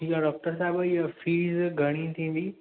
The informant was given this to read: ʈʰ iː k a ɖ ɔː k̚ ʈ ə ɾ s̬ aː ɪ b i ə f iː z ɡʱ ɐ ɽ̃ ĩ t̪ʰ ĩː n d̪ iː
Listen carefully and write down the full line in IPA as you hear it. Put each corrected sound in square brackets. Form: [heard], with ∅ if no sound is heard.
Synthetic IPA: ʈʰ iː k a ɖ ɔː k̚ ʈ ə ɾ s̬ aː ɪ b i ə f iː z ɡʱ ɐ ɽ̃ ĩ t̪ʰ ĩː n d̪ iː